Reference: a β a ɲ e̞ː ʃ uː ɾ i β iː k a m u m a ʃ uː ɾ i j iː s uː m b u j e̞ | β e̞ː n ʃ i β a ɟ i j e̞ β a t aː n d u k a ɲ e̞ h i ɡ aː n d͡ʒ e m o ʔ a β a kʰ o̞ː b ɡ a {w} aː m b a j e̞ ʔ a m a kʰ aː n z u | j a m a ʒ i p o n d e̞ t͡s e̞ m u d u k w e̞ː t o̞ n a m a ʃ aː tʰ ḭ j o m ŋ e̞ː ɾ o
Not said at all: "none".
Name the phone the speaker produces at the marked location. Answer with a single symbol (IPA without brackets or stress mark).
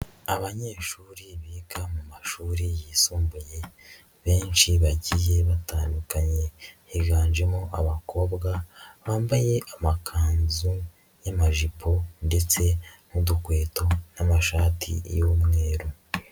β